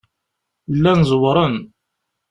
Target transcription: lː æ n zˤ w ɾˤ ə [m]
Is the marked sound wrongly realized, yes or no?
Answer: yes